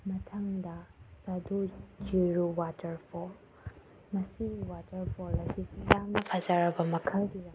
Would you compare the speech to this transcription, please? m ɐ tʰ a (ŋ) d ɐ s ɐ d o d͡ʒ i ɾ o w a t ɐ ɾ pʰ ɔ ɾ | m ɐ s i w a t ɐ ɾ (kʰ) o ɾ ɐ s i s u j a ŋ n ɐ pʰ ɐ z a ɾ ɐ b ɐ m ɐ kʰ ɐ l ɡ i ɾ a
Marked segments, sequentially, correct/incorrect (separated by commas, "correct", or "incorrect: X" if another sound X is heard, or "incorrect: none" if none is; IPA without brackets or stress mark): correct, incorrect: pʰ